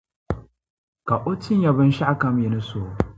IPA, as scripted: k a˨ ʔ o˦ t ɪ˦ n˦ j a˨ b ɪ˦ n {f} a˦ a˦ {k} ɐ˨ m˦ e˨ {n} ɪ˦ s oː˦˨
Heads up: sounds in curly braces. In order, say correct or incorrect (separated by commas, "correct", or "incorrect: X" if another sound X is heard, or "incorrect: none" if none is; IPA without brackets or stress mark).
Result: incorrect: ʃ, correct, correct